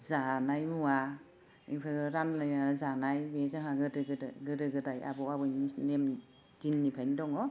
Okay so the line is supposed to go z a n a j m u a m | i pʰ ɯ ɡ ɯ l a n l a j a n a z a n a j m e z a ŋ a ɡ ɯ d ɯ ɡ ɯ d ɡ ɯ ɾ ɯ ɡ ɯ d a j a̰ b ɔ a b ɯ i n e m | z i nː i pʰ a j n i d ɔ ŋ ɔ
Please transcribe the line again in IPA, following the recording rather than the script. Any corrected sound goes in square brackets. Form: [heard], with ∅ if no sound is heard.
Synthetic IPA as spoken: z a n a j m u a [∅] | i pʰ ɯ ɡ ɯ [ɾ] a n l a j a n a z a n a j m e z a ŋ a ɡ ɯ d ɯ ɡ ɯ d ɡ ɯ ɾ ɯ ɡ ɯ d a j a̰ b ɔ a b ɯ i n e m | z i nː i pʰ a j n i d ɔ ŋ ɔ